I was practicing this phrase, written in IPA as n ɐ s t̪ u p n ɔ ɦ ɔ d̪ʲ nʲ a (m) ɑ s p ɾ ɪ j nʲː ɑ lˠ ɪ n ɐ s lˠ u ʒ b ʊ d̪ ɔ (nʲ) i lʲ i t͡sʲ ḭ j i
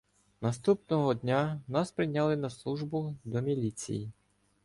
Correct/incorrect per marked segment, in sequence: incorrect: n, incorrect: mʲ

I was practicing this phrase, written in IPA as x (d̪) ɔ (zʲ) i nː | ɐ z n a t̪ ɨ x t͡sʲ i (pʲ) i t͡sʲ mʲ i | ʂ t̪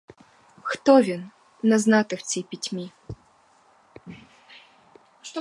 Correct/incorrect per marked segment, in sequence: incorrect: t̪, incorrect: vʲ, correct

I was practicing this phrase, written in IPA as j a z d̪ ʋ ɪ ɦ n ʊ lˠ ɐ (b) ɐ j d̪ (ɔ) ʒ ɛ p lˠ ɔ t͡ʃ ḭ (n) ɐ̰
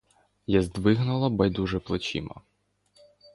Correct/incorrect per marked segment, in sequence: correct, incorrect: u, incorrect: m

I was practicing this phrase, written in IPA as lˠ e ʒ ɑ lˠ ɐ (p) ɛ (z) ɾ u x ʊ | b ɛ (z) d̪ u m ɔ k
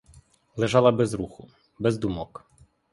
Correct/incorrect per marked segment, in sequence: incorrect: b, correct, correct

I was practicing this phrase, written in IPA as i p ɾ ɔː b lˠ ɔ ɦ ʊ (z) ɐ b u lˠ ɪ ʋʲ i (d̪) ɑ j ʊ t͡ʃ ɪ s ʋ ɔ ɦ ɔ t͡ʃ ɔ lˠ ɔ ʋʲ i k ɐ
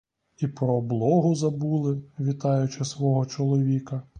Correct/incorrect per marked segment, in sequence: correct, incorrect: t̪

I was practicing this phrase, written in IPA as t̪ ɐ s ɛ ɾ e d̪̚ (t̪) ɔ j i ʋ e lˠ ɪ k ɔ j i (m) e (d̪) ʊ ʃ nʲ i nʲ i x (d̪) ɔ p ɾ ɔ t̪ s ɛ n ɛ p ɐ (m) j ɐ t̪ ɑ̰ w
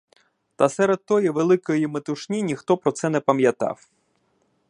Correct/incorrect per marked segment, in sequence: correct, correct, incorrect: t̪, incorrect: t̪, correct

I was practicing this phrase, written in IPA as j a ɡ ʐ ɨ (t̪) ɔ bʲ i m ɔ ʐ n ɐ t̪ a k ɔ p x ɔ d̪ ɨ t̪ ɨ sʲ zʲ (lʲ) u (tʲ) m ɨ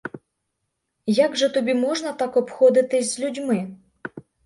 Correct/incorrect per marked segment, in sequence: correct, correct, incorrect: dʲ

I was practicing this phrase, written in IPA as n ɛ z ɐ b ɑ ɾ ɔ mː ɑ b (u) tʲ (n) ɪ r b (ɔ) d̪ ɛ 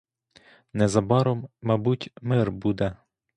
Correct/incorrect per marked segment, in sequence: correct, incorrect: m, incorrect: u

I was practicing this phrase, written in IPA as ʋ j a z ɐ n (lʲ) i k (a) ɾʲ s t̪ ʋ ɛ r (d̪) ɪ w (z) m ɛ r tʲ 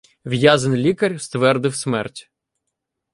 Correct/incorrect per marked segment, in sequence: correct, incorrect: ɐ, correct, incorrect: s

